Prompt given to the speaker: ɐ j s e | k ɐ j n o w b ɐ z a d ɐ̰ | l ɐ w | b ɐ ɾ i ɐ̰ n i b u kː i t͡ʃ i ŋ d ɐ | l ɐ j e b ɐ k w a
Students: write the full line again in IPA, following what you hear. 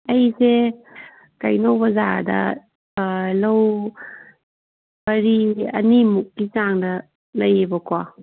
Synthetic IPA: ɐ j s e | k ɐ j n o w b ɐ z a d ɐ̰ | l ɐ w | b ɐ ɾ i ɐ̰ n i m u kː i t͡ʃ a ŋ d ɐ | l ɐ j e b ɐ k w a

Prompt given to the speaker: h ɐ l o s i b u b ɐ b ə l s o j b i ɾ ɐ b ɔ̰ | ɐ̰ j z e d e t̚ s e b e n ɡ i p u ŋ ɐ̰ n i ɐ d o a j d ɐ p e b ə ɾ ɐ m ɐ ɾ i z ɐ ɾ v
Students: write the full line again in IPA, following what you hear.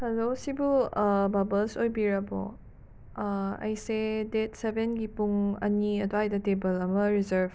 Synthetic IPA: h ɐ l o s i b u b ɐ b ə l s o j b i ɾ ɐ b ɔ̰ | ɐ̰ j s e d e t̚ s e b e n ɡ i p u ŋ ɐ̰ n i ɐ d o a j d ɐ t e b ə l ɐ m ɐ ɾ i z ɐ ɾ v

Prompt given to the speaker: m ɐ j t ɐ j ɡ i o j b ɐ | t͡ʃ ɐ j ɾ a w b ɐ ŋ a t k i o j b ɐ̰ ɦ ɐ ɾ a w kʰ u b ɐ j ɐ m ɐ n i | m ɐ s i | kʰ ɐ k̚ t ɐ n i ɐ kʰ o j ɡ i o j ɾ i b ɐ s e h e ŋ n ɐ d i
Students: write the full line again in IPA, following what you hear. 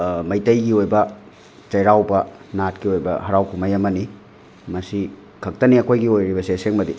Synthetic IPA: m ɐ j t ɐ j ɡ i o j b ɐ | t͡ʃ ɐ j ɾ a w b ɐ n a t k i o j b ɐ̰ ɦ ɐ ɾ a w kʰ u m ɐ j ɐ m ɐ n i | m ɐ s i | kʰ ɐ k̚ t ɐ n i ɐ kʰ o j ɡ i o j ɾ i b ɐ s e s e ŋ m ɐ d i

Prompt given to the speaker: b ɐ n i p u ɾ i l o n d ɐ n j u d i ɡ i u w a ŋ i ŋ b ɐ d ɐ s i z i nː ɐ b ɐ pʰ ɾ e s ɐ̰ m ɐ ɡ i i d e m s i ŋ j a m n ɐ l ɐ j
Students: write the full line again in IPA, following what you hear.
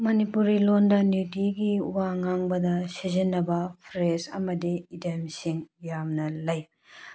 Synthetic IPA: m ɐ n i p u ɾ i l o n d ɐ n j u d i ɡ i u w a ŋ a ŋ b ɐ d ɐ s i z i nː ɐ b ɐ pʰ ɾ e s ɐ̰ m ɐ d i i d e m s i ŋ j a m n ɐ l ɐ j

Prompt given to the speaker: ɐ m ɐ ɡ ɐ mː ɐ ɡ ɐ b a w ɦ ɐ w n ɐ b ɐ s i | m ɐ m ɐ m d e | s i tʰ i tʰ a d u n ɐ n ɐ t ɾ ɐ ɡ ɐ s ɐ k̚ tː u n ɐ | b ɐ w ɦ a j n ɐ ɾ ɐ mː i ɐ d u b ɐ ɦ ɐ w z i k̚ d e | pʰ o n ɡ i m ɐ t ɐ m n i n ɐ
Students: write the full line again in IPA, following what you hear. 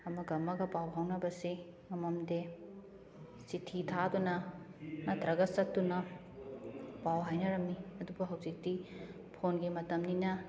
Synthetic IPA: ɐ m ɐ ɡ ɐ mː ɐ ɡ ɐ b a w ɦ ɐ w n ɐ b ɐ s i | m ɐ m ɐ m d e | s i tʰ i tʰ a d u n ɐ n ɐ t ɾ ɐ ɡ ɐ s ɐ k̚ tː u n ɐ | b a w ɦ a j n ɐ ɾ ɐ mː i ɐ d u b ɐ ɦ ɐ w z i k̚ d i | pʰ o n ɡ i m ɐ t ɐ m n i n ɐ

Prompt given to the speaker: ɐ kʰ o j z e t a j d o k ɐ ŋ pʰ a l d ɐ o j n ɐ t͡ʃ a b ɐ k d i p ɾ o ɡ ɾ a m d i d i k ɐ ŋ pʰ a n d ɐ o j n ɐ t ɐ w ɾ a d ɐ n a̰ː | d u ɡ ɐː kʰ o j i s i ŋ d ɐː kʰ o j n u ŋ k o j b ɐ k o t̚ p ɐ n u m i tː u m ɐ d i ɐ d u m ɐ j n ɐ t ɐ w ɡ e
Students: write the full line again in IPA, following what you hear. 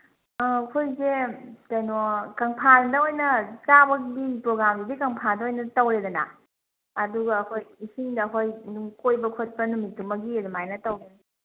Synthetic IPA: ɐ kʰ o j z e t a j n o k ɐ ŋ pʰ a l d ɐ o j n ɐ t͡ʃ a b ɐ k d i p ɾ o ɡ ɾ a m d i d i k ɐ ŋ pʰ a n d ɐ o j n ɐ t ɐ w ɾ e d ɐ n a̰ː | d u ɡ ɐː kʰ o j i s i ŋ d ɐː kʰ o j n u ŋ k o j b ɐ kʰ o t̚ p ɐ n u m i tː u m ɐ ɡ i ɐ d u m a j n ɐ t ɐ w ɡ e

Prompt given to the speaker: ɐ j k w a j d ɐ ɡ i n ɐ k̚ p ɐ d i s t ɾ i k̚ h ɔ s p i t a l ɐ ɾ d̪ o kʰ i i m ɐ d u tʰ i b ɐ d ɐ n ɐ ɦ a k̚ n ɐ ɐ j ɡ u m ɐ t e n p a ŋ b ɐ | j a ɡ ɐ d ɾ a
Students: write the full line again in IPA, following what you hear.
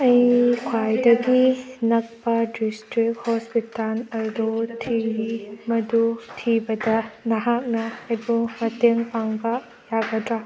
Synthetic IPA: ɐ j kʰ w a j d ɐ ɡ i n ɐ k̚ p ɐ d i s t ɾ i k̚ h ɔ s p i t a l ɐ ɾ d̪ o tʰ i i m ɐ d u tʰ i b ɐ d ɐ n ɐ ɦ a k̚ n ɐ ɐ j b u m ɐ t e ŋ p a ŋ b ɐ | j a ɡ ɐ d ɾ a

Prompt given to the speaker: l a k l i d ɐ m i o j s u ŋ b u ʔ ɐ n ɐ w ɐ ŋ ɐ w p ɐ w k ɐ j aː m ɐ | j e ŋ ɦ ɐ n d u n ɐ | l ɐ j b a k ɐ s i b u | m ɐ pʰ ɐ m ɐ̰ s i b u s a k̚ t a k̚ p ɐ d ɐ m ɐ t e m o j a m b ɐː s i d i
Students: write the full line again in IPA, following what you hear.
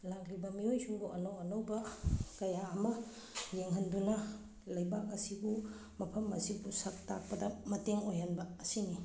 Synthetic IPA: l a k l i b ɐ m i o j s u ŋ b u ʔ ɐ n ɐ w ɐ n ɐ w b ɐ k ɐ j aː m ɐ | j e ŋ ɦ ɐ n d u n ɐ | l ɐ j b a k ɐ s i b u | m ɐ pʰ ɐ m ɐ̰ s i b u s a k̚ t a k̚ p ɐ d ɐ m ɐ t e ŋ o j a n b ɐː s i n i

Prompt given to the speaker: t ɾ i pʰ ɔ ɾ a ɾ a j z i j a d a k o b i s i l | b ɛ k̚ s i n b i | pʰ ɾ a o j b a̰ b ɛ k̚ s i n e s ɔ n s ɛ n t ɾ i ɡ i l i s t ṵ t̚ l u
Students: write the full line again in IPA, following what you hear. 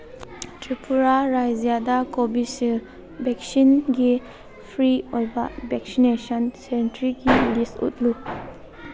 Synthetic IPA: t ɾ i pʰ u ɾ a ɾ a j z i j a d a k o b i s i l | b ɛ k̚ s i n ɡ i | pʰ ɾ i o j b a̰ b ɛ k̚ s i n e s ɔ n s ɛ n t ɾ i ɡ i l i s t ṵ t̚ l u

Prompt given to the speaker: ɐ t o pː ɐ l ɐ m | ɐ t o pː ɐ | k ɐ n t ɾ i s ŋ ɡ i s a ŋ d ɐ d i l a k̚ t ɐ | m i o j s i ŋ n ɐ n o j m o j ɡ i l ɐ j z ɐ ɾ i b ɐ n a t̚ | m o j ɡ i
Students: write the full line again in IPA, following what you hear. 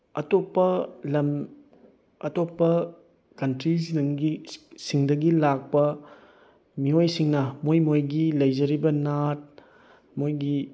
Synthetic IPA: ɐ t o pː ɐ l ɐ m | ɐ t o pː ɐ | k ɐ n t ɾ i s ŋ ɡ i s i ŋ d ɐ ɡ i l a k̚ p ɐ | m i o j s i ŋ n ɐ m o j m o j ɡ i l ɐ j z ɐ ɾ i b ɐ n a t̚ | m o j ɡ i

